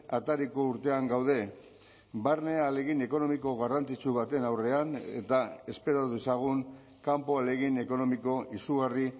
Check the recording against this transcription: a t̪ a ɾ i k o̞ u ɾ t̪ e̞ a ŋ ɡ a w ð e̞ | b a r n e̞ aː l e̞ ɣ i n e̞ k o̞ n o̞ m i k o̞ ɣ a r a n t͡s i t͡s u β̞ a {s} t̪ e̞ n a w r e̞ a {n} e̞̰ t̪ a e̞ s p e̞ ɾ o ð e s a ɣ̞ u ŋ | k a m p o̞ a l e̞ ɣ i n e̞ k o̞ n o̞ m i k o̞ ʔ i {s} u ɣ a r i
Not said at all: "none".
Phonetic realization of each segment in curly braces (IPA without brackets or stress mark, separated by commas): none, n, s